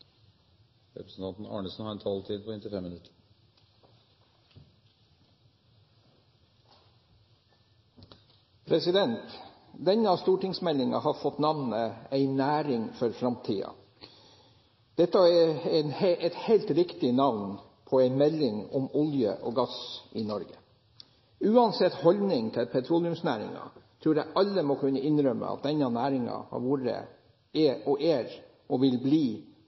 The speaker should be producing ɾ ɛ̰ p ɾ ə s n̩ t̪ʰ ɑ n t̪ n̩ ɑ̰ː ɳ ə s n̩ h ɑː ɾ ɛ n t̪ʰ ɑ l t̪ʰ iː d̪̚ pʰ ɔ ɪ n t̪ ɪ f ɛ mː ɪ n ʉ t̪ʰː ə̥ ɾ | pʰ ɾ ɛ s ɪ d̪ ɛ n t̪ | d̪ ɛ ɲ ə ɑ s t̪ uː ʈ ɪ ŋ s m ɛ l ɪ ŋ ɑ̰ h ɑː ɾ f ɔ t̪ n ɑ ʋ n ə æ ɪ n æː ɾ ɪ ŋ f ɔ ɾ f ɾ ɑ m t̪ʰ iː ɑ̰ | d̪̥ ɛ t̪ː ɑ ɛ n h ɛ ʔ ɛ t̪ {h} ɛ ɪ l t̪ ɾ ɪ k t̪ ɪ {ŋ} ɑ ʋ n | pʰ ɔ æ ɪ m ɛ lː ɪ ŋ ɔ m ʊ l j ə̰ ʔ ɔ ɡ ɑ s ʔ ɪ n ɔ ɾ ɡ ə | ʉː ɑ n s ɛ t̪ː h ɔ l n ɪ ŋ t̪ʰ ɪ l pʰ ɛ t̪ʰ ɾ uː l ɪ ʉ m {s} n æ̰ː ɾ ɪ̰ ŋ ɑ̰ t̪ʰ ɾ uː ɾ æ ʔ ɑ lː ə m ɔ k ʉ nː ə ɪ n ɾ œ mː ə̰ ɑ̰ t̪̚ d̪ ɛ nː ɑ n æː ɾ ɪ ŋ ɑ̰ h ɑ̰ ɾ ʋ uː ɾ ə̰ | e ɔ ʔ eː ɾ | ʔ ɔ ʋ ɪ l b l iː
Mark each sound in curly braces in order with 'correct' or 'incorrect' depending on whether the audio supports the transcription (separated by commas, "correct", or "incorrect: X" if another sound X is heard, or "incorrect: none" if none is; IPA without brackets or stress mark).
correct, incorrect: n, correct